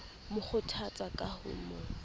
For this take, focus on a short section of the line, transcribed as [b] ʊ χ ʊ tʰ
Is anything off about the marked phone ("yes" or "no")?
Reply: yes